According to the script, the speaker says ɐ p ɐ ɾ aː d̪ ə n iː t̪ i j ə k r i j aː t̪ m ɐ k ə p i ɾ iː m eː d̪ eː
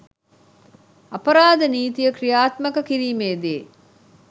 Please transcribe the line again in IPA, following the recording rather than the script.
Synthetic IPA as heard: ɐ p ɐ ɾ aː d̪ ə n iː t̪ i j ə k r i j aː t̪ m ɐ k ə k i ɾ iː m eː d̪ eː